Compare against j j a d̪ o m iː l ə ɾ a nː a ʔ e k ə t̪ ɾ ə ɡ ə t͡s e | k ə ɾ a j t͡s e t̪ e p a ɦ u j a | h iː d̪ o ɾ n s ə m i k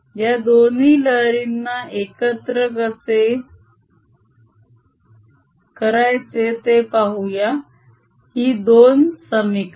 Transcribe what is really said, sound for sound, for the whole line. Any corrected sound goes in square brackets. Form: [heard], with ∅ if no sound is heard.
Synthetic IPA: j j a d̪ o [n] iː l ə ɾ [i] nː a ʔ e k ə t̪ ɾ ə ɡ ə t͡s e | k ə ɾ a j t͡s e t̪ e p a ɦ u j a | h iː d̪ o [∅] n s ə m i k